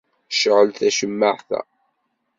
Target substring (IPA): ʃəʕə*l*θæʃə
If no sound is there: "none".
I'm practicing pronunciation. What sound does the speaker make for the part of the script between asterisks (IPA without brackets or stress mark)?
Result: l